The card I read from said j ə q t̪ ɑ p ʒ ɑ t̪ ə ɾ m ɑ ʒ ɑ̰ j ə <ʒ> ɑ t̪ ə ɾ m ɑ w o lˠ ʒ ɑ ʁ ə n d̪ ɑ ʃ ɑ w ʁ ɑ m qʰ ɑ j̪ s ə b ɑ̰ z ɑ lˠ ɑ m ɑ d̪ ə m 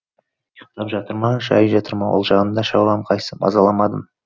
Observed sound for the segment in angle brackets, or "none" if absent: ʒ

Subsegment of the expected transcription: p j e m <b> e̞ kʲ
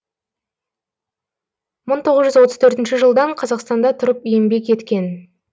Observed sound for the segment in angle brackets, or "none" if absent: b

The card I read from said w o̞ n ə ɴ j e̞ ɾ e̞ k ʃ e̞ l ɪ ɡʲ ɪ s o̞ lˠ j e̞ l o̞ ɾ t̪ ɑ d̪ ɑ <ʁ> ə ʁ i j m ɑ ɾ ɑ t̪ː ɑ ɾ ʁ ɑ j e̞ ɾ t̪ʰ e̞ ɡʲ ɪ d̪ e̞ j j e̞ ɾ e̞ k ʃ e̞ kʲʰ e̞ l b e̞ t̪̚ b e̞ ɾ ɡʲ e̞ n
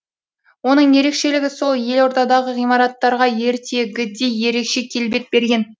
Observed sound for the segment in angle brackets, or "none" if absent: ʁ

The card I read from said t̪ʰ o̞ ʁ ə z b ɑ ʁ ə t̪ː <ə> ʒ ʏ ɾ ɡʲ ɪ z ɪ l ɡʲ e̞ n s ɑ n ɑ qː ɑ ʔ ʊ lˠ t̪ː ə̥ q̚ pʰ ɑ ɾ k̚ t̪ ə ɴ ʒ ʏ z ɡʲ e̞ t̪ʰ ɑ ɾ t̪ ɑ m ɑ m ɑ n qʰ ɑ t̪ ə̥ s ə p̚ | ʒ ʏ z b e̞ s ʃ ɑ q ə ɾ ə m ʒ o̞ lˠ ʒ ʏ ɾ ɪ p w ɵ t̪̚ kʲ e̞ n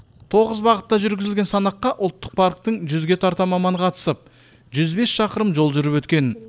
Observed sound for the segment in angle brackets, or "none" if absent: ɑ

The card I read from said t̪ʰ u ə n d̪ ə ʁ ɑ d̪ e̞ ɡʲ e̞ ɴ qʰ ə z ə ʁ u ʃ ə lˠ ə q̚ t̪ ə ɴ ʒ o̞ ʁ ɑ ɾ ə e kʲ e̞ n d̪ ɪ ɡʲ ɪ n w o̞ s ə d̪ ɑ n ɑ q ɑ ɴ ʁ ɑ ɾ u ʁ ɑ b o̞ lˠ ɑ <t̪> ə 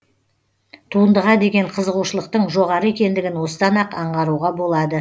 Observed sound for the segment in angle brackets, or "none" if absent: d̪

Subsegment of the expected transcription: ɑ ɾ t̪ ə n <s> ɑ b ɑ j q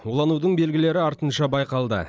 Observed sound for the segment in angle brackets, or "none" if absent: ʃ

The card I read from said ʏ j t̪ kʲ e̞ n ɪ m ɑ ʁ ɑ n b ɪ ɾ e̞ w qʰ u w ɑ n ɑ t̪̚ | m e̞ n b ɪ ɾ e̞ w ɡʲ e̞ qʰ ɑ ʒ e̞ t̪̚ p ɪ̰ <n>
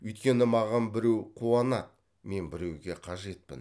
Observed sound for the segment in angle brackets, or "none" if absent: n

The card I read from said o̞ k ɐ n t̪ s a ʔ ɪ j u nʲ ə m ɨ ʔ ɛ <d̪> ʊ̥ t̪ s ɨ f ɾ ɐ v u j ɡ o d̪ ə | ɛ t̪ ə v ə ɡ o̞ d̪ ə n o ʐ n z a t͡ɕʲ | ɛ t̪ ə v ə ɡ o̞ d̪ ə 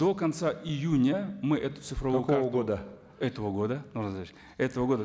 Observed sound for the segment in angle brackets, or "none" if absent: t̪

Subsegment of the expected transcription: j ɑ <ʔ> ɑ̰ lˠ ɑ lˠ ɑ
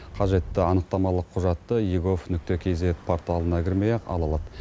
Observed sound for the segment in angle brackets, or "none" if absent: q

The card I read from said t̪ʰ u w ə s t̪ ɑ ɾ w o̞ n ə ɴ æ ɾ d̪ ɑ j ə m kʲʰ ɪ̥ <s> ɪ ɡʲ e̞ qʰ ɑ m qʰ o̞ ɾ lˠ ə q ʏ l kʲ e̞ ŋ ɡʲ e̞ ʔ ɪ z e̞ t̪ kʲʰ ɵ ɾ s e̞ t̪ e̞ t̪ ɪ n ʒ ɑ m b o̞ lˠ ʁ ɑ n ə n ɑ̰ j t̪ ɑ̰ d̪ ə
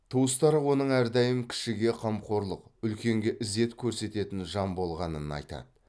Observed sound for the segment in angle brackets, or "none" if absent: ʃ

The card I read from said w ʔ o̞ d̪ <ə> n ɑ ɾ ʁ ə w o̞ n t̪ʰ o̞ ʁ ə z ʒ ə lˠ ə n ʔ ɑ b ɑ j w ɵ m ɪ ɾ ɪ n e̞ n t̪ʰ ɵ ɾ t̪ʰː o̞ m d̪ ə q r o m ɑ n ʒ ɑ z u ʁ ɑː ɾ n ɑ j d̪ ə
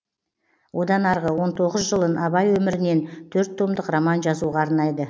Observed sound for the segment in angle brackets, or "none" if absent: ɑ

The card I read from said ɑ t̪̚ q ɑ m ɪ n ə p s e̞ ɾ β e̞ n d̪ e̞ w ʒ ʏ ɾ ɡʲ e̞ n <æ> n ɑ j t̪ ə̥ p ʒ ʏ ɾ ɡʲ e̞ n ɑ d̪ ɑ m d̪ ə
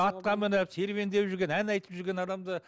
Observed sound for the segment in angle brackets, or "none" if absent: æ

